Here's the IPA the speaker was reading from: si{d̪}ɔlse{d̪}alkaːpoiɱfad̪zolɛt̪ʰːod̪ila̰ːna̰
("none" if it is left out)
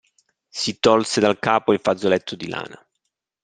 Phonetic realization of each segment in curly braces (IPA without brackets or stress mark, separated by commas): t̪, d̪